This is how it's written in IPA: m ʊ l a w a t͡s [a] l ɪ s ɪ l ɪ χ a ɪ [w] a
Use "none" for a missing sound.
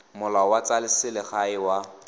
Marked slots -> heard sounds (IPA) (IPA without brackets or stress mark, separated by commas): a, w